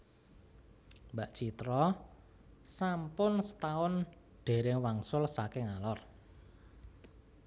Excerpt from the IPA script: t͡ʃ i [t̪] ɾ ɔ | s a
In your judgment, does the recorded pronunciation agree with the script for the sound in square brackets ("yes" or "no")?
yes